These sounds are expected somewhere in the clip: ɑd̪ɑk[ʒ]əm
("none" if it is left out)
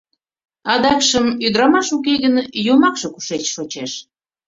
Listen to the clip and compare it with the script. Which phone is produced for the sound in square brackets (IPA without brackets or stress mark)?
ʃ